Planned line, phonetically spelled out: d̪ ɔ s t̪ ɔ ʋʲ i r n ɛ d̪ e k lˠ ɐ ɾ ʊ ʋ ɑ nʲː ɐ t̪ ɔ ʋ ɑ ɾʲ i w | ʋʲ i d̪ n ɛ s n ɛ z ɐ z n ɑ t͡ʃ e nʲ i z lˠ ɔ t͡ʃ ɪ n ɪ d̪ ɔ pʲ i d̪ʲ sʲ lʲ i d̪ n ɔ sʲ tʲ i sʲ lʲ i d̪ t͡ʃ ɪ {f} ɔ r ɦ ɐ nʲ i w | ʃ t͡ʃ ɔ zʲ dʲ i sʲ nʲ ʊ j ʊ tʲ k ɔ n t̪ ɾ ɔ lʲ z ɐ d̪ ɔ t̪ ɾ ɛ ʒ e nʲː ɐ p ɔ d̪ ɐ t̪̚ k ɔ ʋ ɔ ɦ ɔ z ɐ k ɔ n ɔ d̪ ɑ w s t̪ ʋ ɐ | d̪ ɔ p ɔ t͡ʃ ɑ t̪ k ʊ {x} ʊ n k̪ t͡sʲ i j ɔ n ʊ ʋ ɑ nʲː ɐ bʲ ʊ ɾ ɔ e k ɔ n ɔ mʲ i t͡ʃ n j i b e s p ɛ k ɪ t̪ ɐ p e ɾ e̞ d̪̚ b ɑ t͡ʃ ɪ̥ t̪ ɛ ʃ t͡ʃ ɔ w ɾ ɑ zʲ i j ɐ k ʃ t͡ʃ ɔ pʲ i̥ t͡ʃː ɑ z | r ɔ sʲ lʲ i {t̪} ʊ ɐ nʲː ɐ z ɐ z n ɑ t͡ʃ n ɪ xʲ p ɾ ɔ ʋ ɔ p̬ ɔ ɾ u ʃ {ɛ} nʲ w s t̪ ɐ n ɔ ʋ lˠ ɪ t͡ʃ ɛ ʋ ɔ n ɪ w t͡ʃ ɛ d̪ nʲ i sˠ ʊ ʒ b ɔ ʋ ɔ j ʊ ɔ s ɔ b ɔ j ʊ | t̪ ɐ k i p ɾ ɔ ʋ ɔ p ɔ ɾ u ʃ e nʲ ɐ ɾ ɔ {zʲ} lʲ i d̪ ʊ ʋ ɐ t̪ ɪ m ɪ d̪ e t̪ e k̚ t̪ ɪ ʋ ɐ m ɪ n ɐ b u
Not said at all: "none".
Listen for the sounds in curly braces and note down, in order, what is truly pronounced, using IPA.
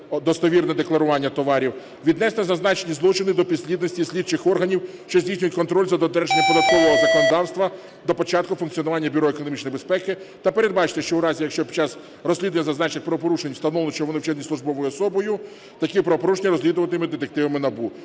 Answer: x, f, d̪, e, zʲ

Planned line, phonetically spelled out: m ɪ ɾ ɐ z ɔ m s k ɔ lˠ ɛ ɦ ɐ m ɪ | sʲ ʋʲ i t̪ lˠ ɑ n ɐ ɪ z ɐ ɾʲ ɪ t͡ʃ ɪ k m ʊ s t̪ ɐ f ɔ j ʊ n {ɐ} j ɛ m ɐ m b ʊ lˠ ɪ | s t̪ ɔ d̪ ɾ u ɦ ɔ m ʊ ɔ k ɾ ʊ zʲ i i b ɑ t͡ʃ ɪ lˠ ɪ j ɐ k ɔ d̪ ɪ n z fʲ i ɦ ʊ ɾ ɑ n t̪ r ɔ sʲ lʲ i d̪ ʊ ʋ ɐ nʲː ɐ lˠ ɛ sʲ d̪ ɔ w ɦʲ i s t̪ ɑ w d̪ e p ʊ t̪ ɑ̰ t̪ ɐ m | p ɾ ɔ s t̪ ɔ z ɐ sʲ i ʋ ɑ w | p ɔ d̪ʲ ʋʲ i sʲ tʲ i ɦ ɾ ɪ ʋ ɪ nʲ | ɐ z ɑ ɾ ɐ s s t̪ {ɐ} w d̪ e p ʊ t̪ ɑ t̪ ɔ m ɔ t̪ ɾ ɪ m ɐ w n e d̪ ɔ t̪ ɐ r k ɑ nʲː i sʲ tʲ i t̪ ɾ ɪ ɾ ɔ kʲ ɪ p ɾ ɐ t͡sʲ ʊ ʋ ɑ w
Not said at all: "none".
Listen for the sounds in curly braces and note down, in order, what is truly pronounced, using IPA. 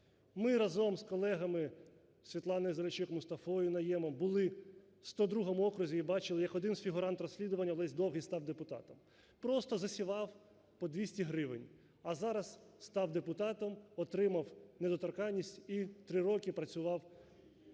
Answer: ɐ, ɑ

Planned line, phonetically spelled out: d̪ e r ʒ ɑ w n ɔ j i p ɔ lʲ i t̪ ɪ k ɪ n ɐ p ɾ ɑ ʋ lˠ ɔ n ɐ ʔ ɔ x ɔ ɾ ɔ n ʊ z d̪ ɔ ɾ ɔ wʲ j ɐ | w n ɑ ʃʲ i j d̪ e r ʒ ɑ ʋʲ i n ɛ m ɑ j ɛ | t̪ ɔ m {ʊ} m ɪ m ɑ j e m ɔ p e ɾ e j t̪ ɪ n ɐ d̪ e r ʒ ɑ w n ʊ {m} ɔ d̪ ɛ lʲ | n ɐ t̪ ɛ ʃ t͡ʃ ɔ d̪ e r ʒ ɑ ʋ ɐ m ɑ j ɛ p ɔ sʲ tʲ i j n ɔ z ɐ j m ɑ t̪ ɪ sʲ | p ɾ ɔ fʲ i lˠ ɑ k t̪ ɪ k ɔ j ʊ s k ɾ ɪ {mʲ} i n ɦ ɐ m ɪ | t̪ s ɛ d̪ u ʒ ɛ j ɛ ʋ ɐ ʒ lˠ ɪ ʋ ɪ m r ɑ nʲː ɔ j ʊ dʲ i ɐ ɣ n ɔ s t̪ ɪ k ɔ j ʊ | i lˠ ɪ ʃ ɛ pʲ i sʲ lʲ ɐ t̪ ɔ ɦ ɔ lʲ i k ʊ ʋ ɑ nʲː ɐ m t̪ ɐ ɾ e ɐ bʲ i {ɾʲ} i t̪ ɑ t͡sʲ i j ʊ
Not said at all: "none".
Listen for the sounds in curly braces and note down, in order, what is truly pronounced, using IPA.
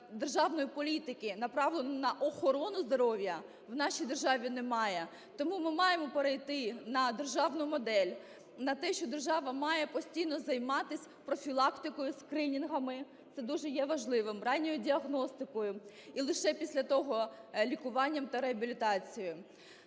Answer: u, m, nʲ, lʲ

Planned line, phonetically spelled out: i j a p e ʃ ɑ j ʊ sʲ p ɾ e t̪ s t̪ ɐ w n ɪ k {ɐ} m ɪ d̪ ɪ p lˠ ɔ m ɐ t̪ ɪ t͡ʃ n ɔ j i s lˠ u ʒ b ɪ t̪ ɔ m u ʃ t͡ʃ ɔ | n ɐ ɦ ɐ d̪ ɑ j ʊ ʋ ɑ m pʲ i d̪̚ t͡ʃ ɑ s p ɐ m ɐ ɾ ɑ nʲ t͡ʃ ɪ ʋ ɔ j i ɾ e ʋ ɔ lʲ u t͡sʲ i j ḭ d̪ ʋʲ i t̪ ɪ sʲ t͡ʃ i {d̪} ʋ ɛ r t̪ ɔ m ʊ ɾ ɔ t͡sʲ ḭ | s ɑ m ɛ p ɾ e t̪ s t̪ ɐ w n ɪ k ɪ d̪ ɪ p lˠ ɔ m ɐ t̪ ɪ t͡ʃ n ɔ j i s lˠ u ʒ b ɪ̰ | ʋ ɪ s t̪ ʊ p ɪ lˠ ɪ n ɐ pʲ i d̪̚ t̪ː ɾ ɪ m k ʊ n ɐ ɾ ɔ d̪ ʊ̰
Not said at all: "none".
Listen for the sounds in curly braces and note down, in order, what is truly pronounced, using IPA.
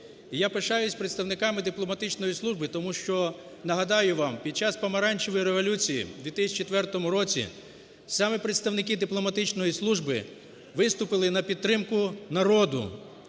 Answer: ɑ, t̪

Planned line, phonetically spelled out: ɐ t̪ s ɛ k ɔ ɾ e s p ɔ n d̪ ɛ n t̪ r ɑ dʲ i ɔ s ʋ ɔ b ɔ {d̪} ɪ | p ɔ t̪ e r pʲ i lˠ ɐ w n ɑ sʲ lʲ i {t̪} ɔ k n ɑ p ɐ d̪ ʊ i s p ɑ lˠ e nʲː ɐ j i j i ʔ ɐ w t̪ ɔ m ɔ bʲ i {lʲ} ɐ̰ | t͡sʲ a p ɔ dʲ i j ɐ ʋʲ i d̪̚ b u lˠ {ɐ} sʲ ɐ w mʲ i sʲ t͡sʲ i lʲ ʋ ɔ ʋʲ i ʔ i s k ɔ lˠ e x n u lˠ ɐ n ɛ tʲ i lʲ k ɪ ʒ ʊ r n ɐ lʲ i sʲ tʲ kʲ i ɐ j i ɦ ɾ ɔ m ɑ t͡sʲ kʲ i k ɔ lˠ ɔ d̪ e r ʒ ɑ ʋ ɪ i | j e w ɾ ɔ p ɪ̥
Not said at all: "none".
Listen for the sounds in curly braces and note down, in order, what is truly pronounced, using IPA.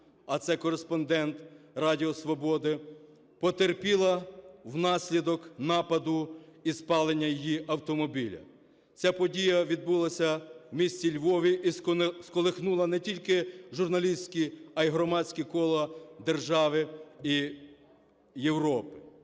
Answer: d̪, d̪, lʲ, ɐ

